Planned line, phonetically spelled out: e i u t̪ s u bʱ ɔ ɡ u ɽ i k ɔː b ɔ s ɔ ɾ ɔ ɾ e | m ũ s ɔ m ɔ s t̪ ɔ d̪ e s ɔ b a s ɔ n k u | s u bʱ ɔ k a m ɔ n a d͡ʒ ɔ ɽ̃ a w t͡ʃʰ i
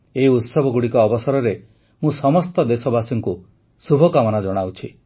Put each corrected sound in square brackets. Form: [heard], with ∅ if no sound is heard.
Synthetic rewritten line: e i u t̪ s [ɔ] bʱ ɔ ɡ u ɽ i k ɔː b ɔ s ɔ ɾ ɔ ɾ e | m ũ s ɔ m ɔ s t̪ ɔ d̪ e s ɔ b a s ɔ [ŋ] k u | s u bʱ ɔ k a m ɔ n a d͡ʒ ɔ ɽ̃ a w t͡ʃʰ i